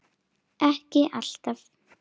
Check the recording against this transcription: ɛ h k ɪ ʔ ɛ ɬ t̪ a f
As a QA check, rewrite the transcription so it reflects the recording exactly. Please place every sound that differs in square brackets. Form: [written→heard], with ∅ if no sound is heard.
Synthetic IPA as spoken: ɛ h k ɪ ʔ [ɛ→a] ɬ t̪ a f